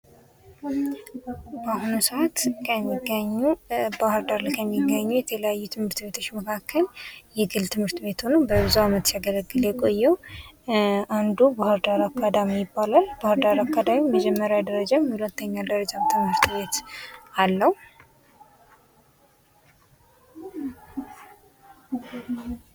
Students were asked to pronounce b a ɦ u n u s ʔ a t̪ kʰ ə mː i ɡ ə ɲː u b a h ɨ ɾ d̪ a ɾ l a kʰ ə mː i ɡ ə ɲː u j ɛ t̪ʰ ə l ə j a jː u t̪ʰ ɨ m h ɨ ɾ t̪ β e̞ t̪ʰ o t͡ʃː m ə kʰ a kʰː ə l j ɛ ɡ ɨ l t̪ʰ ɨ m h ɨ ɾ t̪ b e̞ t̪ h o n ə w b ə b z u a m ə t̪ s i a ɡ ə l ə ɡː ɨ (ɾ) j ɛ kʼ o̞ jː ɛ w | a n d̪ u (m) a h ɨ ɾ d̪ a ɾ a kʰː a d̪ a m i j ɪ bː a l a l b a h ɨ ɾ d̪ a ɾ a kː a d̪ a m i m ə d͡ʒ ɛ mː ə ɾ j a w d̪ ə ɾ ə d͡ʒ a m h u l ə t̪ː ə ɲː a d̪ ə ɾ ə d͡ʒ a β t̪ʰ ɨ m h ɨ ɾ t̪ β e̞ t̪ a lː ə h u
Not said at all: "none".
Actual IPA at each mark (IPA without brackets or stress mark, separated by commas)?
l, b